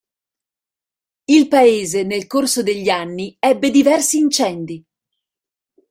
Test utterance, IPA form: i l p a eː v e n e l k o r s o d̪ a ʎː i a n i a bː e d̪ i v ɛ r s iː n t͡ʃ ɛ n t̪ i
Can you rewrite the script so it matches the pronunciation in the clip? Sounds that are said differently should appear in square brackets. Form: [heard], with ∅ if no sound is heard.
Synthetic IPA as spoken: i l p a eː [z] e n e l k o r s o d̪ [e] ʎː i a [nː] i [ɛ] bː e d̪ i v ɛ r s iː n t͡ʃ ɛ n [d̪] i